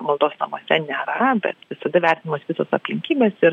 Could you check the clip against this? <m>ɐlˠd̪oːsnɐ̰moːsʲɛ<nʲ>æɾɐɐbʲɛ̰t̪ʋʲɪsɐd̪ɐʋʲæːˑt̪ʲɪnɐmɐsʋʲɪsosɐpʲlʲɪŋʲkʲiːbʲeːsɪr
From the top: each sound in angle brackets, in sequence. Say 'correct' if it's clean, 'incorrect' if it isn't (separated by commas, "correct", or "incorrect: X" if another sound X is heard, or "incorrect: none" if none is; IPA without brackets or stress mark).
correct, correct